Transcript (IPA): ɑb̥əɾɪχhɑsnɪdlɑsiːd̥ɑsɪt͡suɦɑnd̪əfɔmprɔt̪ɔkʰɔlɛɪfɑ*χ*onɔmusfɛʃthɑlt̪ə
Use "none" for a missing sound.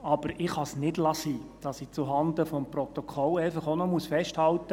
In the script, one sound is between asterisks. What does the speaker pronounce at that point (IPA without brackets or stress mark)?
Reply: χ